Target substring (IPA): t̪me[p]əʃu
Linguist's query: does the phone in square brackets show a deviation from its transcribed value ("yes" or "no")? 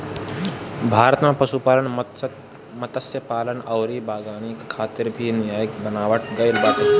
no